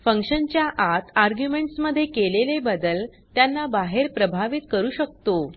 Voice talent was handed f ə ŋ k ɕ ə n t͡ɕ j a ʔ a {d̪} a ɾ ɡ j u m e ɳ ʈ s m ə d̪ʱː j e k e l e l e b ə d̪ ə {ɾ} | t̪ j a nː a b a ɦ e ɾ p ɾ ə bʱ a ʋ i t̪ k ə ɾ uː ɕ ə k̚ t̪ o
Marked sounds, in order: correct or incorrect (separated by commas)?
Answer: incorrect, incorrect